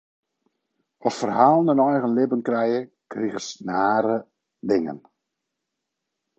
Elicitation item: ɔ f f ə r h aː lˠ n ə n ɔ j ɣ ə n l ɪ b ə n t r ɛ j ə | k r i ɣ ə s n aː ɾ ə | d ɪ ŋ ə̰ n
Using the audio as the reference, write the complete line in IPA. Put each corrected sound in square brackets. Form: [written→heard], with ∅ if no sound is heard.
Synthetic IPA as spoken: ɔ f f ə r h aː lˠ n ə n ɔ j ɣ ə n l ɪ b ə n [t→k] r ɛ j ə | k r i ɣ ə s n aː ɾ ə | d ɪ ŋ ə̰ n

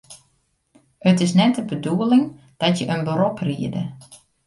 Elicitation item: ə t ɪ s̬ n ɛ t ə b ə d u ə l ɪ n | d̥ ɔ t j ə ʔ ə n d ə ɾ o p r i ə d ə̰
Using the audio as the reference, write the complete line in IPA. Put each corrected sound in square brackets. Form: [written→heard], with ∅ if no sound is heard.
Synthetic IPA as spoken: ə t ɪ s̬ n ɛ t ə b ə d u ə l ɪ [n→ŋ] | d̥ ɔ t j ə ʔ ə n [d→b] ə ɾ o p r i ə d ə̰

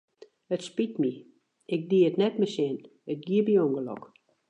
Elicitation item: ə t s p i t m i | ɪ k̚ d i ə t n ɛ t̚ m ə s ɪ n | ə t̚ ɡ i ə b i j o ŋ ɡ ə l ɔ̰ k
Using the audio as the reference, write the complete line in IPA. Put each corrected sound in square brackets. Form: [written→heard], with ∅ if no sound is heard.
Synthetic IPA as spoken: ə t s p i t m i | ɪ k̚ d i ə t n ɛ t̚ m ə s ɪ n | ə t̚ ɡ i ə b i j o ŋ ɡ ə l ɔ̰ k

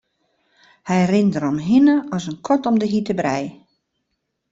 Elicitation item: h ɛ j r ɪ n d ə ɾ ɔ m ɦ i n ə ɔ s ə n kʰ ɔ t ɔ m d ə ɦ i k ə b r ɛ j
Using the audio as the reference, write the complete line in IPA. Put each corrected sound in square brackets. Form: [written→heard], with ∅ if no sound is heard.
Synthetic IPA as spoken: h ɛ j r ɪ n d ə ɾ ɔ m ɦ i n ə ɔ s ə n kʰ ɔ t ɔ m d ə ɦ i [k→t] ə b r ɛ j

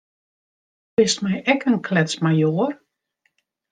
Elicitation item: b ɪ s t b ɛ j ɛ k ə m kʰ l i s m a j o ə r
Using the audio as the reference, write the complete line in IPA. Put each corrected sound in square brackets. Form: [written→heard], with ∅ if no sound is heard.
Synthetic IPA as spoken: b ɪ s t [b→m] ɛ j ɛ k ə [m→n] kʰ l [i→ɛ] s m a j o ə r

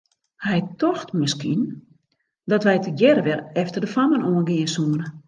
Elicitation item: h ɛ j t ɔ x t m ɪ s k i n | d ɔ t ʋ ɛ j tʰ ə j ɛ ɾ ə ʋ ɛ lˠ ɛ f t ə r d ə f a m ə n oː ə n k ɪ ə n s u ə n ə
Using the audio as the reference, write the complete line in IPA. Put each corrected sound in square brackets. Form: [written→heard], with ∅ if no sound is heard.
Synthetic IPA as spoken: h ɛ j t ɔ x t m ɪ s k i n | d ɔ t ʋ ɛ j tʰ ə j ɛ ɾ ə ʋ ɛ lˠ ɛ f t ə r d ə f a m ə n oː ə n [k→ɡ] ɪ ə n s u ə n ə

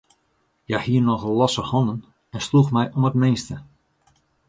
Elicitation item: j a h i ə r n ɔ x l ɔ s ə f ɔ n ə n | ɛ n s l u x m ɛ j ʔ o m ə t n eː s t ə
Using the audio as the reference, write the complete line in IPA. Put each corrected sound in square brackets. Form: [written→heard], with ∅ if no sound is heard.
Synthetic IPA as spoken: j a h i ə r n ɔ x l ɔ s ə [f→h] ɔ n ə n | ɛ n s l u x m ɛ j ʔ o m ə t [n→m] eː s t ə

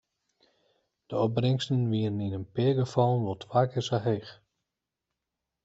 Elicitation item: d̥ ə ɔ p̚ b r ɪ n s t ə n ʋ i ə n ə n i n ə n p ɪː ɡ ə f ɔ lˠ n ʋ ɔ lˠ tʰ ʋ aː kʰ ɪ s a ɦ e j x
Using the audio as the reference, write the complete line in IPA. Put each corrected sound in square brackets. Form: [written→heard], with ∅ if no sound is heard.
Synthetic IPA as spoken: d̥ ə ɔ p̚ b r ɪ [n→ŋ] s t ə n ʋ i ə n ə n i n ə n p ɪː ɡ ə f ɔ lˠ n ʋ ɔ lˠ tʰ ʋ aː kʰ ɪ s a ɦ e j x

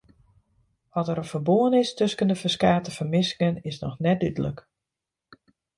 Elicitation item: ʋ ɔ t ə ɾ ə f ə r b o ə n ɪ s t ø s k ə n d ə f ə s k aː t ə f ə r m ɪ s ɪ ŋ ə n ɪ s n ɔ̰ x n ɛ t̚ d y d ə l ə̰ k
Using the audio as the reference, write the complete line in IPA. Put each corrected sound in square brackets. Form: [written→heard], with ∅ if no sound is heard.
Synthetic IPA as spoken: ʋ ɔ t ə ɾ ə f ə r b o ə n ɪ s t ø s k ə n d ə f ə s k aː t ə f ə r m ɪ s ɪ ŋ ə n ɪ s n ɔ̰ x n ɛ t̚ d y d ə l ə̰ k

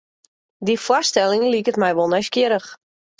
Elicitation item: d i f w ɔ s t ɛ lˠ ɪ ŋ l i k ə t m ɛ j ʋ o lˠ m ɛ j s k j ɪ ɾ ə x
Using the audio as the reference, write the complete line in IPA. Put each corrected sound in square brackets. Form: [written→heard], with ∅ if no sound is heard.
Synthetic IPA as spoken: d i f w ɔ s t ɛ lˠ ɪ ŋ l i k ə t m ɛ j ʋ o lˠ [m→n] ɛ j s k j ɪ ɾ ə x

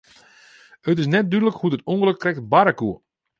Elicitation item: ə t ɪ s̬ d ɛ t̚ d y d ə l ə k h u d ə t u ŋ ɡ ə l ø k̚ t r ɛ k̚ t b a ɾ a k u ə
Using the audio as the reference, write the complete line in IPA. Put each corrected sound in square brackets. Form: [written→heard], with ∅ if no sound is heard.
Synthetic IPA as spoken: ə t ɪ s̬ [d→n] ɛ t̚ d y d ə l ə k h u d ə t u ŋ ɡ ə l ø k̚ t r ɛ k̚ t b a ɾ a k u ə

